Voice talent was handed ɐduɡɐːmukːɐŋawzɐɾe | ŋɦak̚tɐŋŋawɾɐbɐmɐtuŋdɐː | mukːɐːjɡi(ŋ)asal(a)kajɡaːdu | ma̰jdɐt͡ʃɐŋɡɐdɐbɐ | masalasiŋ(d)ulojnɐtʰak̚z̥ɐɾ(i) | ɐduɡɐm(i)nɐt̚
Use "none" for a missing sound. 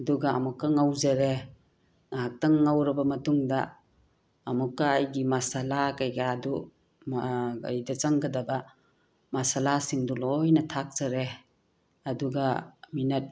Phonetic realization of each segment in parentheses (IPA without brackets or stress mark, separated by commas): m, a, d, e, i